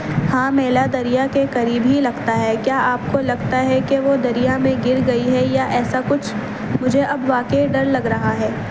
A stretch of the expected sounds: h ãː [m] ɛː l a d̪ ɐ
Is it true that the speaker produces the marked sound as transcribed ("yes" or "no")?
yes